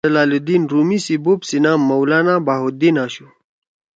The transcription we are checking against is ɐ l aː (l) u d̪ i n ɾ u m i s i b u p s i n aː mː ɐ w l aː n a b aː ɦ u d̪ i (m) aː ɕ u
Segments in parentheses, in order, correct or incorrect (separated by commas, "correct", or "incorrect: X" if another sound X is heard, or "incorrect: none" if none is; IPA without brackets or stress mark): correct, incorrect: n